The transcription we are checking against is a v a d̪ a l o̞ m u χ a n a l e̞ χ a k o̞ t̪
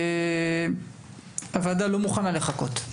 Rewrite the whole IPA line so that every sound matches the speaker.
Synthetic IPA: a v a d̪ a l o̞ m u χ a n a l e̞ χ a k o̞ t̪